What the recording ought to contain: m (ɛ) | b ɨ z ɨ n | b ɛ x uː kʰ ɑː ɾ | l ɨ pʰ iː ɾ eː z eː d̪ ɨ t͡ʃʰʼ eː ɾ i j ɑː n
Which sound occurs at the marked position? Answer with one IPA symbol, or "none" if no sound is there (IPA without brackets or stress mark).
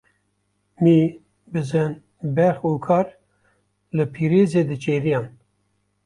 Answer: i